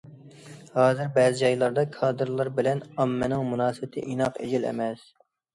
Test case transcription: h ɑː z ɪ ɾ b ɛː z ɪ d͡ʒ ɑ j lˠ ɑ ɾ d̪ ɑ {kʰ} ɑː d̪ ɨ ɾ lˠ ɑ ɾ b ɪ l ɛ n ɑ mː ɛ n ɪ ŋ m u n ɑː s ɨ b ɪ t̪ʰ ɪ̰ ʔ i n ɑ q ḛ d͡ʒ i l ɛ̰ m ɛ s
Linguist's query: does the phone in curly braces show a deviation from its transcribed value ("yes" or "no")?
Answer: no